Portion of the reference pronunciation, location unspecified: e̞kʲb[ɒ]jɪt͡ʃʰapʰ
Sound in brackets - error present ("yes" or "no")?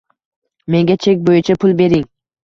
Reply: yes